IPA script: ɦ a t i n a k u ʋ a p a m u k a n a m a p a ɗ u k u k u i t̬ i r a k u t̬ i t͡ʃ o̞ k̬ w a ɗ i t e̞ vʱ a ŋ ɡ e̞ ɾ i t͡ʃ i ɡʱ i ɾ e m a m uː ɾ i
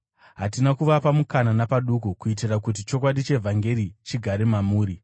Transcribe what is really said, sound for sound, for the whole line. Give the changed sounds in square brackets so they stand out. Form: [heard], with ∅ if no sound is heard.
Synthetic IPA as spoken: ɦ a t i n a k u ʋ a p a m u k a n a [n] a p a ɗ u k u k u i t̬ i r a k u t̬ i t͡ʃ o̞ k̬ w a ɗ i [t͡ʃ] e̞ vʱ a ŋ ɡ e̞ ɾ i t͡ʃ i ɡʱ [a] ɾ e m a m uː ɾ i